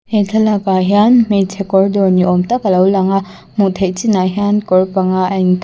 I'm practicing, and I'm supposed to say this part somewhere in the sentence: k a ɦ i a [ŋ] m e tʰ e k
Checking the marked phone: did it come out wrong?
yes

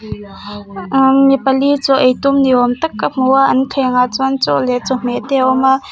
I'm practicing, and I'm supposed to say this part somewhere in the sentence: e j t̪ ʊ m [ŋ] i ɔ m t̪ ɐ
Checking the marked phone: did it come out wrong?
yes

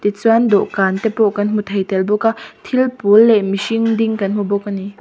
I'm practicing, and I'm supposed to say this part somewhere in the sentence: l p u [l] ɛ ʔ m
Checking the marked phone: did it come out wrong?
yes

